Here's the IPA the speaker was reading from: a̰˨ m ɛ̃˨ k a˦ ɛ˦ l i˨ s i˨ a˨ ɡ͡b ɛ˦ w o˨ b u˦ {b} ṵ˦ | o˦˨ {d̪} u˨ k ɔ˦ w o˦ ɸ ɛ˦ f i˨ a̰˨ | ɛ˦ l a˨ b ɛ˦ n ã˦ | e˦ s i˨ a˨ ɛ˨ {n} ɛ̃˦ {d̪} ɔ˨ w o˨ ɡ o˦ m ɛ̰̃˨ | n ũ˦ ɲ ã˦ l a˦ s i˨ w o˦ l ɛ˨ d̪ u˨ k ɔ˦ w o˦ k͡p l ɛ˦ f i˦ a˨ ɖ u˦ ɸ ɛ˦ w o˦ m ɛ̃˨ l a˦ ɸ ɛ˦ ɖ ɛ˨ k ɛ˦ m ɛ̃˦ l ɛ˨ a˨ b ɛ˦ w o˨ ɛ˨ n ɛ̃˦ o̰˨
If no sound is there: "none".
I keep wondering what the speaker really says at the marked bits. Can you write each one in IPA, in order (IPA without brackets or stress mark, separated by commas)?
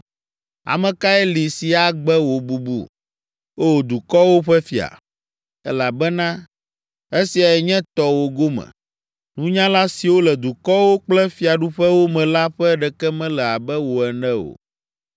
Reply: b, d̪, ɲ, t̪